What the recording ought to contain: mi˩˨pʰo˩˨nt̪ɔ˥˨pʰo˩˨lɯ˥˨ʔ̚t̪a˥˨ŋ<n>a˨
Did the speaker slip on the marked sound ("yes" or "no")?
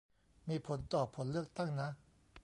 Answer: no